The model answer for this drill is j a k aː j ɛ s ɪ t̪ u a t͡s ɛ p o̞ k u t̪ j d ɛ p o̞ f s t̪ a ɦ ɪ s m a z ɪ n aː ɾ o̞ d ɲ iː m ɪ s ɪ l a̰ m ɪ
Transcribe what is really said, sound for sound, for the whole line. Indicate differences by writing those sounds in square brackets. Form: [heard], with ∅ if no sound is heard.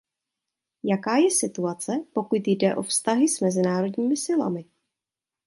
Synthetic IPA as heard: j a k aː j ɛ s ɪ t̪ u a t͡s ɛ p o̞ k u t̪ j d ɛ [ʔ] o̞ f s t̪ a ɦ ɪ s m [ɛ] z ɪ n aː ɾ o̞ d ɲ iː m ɪ s ɪ l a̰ m ɪ